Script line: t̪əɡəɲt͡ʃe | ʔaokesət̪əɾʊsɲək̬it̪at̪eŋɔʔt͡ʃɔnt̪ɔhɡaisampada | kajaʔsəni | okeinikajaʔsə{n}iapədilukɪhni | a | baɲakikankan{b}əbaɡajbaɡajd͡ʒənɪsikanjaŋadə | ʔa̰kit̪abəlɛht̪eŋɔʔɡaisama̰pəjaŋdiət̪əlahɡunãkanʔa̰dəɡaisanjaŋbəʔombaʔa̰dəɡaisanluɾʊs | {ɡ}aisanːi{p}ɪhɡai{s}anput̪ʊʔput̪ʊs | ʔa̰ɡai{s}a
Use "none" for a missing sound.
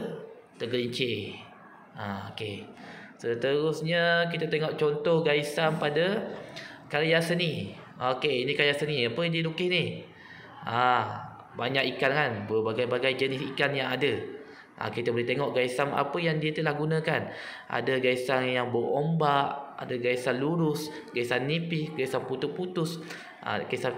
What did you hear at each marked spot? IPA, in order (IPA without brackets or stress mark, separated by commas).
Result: n, b, ɡ, p, s, s